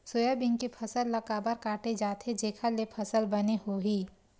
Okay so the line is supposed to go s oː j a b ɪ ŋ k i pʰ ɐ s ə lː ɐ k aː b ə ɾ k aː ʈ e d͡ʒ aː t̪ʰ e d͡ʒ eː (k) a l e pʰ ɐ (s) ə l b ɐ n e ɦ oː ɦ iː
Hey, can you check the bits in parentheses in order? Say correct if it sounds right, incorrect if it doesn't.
incorrect, correct

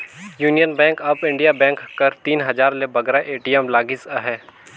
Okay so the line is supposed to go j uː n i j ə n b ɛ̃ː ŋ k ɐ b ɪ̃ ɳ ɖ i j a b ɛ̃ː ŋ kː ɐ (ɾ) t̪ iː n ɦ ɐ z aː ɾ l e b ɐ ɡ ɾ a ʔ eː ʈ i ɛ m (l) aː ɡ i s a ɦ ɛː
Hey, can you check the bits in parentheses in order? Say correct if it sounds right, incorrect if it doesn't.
correct, correct

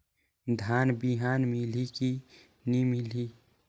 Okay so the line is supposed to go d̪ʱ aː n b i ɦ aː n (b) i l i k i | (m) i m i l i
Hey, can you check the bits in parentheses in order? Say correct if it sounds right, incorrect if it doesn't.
incorrect, incorrect

